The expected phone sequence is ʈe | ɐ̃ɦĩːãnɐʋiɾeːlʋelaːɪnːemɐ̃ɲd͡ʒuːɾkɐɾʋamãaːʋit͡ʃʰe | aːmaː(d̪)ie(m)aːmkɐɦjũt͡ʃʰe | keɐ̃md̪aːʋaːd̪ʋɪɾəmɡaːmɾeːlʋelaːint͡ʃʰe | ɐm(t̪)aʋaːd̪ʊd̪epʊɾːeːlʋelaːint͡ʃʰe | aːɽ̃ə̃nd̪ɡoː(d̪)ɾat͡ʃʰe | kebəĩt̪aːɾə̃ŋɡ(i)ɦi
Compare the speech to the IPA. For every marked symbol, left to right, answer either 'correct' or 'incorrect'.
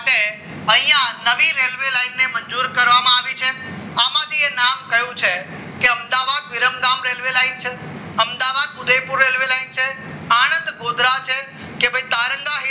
correct, incorrect: n, incorrect: d̪, correct, incorrect: a

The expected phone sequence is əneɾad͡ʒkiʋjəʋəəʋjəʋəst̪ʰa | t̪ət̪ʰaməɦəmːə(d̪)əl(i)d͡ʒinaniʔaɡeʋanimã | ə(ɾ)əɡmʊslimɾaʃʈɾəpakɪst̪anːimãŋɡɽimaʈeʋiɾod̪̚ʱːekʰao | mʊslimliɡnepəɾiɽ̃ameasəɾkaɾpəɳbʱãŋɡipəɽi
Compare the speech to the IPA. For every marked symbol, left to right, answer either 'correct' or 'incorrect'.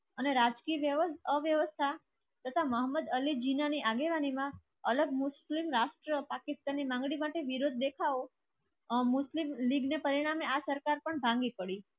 correct, correct, incorrect: l

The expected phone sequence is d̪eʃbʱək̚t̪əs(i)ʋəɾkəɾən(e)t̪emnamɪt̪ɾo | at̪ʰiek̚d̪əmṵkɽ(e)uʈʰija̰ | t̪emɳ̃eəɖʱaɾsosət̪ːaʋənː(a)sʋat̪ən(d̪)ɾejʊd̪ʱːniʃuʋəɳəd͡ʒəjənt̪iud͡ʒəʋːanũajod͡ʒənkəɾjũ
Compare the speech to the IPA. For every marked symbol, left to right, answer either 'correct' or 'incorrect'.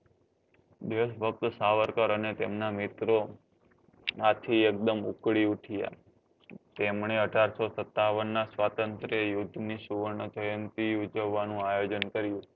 incorrect: a, correct, incorrect: i, correct, incorrect: t̪

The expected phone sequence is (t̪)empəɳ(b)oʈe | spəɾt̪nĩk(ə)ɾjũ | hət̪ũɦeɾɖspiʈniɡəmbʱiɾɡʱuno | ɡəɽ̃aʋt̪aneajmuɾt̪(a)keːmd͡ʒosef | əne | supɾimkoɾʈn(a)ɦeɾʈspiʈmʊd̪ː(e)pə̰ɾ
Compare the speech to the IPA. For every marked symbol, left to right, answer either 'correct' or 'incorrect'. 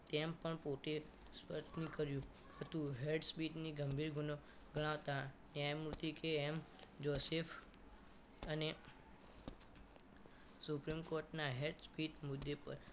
correct, incorrect: p, correct, incorrect: i, correct, correct

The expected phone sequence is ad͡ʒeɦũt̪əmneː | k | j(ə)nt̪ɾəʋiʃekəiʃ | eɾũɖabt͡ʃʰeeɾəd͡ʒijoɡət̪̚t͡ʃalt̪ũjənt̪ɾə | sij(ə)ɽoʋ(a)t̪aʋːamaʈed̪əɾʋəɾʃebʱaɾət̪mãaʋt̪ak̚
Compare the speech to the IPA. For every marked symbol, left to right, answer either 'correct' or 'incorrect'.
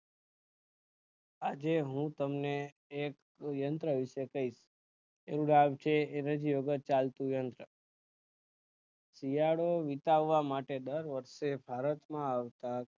correct, incorrect: a, incorrect: i

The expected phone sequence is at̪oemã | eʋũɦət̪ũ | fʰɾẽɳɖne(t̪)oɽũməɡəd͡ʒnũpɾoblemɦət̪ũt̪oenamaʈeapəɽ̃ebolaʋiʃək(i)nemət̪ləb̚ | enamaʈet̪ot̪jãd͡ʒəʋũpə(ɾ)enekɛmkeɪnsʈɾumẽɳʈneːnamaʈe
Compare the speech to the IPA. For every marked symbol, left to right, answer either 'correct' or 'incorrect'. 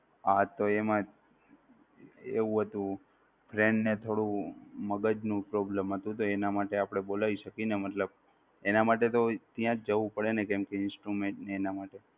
incorrect: t̪ʰ, correct, incorrect: ɽ

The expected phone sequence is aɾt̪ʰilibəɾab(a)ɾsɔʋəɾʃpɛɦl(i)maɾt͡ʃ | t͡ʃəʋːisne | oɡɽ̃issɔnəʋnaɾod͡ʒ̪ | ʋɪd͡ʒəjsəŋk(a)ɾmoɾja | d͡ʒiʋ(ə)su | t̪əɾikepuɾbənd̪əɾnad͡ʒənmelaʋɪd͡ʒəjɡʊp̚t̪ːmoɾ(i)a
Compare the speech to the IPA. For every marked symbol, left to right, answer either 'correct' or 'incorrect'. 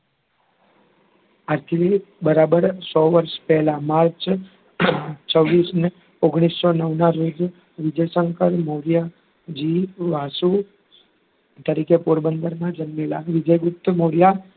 incorrect: ə, incorrect: a, incorrect: ə, incorrect: a, incorrect: j

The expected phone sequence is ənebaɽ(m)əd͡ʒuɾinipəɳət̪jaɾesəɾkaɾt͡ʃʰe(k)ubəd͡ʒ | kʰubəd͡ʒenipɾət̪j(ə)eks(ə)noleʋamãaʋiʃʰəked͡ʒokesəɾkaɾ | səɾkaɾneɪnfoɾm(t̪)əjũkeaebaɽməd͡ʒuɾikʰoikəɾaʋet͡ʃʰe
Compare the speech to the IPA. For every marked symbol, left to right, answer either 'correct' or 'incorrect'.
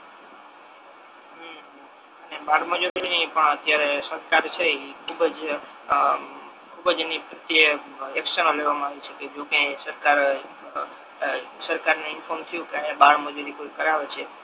correct, incorrect: kʰ, correct, correct, incorrect: t̪ʰ

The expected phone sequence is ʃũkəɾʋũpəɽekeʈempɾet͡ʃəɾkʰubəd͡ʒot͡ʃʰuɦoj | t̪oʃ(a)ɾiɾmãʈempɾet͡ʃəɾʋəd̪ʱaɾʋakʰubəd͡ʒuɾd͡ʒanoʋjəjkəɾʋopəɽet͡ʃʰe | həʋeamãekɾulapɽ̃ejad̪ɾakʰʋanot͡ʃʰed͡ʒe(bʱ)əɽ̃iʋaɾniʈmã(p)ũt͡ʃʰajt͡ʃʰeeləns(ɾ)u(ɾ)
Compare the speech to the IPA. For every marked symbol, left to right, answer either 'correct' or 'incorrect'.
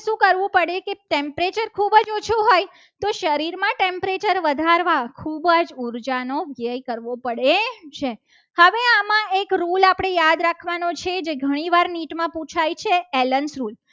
incorrect: ə, incorrect: ɡʱ, correct, correct, incorrect: l

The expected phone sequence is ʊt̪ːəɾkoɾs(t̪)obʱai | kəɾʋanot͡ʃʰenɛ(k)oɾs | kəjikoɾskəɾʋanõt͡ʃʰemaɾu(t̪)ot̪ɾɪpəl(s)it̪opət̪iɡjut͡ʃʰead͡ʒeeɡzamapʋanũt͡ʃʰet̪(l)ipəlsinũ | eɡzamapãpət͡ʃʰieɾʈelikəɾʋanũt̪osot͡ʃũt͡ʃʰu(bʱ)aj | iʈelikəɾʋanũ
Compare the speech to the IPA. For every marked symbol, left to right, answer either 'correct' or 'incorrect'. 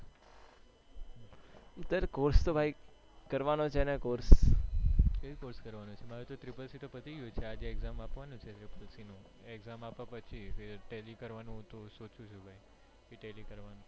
correct, correct, correct, correct, incorrect: ɾ, correct

